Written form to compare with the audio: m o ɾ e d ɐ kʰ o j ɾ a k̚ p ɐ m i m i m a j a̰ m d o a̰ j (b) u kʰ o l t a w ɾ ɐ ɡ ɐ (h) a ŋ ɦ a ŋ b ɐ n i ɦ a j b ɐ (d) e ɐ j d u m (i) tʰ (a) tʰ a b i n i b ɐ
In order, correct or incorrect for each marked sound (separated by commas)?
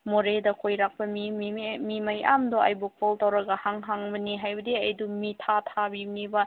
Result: correct, correct, correct, correct, correct